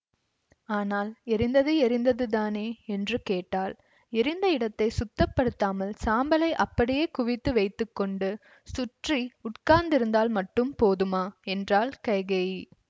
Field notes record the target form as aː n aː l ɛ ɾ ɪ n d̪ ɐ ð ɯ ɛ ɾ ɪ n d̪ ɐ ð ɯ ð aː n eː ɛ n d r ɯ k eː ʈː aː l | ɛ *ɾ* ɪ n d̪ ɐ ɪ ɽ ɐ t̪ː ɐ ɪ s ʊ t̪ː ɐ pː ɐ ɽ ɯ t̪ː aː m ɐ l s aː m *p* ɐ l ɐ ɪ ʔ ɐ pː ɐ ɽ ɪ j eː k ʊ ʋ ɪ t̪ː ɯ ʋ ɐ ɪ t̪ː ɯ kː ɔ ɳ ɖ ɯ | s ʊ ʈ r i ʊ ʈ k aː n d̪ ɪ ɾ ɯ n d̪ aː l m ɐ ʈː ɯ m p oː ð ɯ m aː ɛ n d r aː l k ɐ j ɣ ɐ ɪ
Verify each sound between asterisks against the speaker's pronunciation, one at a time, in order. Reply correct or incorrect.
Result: correct, incorrect

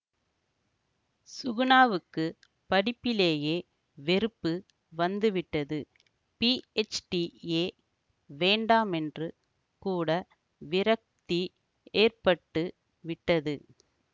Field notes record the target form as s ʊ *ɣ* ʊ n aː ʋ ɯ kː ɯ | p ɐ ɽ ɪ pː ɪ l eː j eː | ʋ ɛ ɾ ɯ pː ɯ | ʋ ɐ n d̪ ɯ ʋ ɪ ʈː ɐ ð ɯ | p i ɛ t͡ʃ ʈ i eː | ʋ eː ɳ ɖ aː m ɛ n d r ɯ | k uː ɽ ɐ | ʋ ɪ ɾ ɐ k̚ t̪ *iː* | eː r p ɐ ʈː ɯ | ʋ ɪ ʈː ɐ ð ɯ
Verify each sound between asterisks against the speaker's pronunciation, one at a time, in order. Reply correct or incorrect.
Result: correct, incorrect

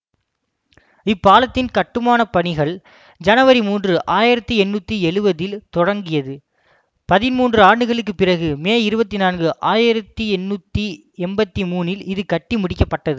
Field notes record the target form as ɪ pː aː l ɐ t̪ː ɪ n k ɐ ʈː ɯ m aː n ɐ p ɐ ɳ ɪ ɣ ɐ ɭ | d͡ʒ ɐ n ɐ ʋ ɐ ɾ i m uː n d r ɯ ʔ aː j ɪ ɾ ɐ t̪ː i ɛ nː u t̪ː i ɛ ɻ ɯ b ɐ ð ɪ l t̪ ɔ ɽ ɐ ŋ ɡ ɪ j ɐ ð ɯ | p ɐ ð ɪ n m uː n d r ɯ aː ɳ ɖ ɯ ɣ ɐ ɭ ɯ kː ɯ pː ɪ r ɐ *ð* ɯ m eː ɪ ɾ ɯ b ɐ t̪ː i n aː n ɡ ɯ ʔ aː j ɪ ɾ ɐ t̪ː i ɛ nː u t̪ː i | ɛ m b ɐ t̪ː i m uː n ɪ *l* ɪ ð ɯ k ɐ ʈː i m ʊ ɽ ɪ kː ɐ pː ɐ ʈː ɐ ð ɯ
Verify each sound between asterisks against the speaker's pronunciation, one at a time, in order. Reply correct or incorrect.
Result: incorrect, correct

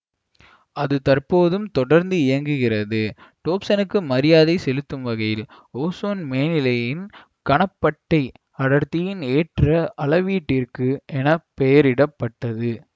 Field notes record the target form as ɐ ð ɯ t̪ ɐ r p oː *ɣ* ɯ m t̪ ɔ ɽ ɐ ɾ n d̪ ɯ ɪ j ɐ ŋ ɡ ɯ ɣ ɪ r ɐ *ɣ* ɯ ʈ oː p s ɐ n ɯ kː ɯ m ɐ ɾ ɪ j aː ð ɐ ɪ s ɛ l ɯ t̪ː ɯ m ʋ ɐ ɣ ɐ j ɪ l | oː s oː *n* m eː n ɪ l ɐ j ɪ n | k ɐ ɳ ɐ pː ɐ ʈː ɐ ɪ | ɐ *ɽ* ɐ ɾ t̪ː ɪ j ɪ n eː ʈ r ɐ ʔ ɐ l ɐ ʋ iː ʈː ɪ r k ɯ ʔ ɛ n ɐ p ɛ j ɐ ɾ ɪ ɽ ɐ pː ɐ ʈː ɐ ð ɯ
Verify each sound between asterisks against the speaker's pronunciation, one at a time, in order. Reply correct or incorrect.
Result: incorrect, incorrect, correct, correct

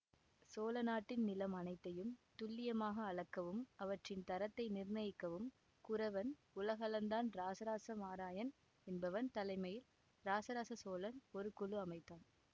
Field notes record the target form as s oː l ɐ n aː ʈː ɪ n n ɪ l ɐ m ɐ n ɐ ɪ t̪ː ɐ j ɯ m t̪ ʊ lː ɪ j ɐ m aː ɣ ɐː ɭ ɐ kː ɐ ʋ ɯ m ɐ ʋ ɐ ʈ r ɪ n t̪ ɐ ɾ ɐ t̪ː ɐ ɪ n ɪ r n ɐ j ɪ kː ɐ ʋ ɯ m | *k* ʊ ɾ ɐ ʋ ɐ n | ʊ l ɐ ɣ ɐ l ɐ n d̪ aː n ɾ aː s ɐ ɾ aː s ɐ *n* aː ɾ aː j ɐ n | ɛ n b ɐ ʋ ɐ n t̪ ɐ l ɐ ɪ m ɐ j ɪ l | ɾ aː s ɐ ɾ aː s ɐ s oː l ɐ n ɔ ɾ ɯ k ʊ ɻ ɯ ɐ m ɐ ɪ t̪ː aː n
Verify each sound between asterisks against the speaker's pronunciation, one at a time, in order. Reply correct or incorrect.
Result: correct, incorrect

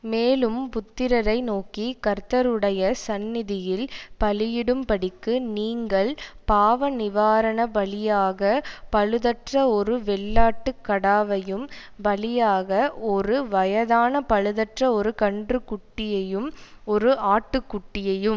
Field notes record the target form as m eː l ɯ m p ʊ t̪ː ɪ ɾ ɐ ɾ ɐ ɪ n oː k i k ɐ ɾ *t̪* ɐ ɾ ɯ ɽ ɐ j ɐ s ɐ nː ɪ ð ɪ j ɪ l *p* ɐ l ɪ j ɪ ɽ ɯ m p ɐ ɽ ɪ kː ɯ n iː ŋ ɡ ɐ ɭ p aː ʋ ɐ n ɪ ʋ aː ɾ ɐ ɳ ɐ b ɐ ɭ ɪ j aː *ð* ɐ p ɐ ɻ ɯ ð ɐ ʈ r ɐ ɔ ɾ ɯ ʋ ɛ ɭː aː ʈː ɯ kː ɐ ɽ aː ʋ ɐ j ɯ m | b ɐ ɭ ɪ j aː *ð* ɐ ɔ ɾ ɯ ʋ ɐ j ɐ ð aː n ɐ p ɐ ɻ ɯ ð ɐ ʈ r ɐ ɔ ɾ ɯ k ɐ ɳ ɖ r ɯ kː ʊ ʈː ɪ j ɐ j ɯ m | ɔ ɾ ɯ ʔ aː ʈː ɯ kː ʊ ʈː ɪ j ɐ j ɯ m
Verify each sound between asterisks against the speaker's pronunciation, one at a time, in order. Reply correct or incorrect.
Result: correct, correct, incorrect, incorrect

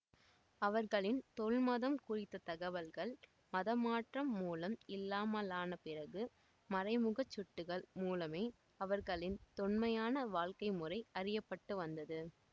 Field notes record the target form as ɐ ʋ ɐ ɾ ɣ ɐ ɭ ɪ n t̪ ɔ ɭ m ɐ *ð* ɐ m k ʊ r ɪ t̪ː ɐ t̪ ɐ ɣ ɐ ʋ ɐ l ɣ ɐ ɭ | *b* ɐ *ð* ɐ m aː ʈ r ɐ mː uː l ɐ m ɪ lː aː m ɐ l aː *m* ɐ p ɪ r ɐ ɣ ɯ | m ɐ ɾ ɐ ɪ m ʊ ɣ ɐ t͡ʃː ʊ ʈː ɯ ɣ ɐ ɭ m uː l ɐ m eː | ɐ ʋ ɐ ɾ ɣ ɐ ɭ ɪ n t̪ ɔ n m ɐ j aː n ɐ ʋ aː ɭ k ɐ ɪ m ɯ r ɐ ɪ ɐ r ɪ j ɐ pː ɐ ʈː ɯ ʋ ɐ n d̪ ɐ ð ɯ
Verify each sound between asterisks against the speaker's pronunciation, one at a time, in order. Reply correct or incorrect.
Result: correct, incorrect, correct, incorrect

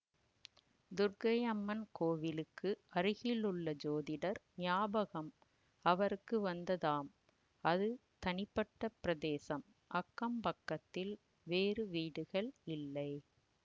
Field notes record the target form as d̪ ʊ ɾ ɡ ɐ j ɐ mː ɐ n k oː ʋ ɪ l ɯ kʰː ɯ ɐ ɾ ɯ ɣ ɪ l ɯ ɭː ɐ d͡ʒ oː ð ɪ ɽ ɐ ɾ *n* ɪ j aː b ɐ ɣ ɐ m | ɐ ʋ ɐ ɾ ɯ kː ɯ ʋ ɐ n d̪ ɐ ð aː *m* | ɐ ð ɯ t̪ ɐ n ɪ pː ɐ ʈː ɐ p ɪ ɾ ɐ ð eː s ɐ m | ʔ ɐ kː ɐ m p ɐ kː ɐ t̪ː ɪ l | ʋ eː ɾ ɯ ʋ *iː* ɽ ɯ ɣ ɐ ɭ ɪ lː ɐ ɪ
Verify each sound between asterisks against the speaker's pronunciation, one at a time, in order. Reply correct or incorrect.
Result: correct, correct, correct

